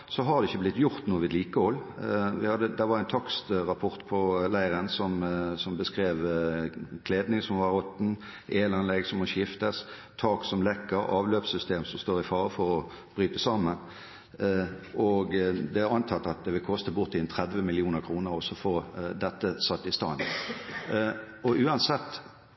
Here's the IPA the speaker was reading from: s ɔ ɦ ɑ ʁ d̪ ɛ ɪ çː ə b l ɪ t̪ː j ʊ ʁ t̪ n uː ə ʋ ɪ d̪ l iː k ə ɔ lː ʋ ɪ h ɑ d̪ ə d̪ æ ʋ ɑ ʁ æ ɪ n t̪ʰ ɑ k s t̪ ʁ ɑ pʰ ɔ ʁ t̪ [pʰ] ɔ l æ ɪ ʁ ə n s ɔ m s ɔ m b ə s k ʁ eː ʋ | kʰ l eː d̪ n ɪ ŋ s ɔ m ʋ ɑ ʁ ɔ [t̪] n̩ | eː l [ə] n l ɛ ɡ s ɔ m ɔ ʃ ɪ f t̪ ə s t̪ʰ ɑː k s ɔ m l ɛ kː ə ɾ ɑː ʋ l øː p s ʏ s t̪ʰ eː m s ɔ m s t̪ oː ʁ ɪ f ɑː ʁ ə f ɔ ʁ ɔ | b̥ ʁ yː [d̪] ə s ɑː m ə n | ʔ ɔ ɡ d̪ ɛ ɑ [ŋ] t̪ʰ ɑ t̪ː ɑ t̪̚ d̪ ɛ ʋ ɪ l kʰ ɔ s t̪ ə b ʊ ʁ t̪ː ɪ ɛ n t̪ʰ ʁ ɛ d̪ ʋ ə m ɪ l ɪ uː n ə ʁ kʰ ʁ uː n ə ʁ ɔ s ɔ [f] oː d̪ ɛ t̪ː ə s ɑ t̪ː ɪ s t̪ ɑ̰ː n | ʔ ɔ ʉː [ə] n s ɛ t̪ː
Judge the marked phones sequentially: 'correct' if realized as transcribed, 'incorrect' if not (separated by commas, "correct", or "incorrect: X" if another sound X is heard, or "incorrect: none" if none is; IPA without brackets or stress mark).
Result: correct, correct, incorrect: ɑ, incorrect: t̪, incorrect: n, correct, incorrect: ɑ